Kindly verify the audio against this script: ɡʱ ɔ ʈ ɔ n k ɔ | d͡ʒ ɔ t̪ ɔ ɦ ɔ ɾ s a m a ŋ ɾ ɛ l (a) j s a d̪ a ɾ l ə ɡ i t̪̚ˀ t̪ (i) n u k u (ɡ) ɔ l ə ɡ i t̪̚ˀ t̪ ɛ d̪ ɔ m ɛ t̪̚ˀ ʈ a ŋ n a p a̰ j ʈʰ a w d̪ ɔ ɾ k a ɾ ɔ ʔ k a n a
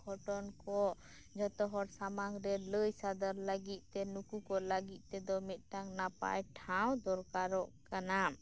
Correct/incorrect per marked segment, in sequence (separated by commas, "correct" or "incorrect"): incorrect, incorrect, incorrect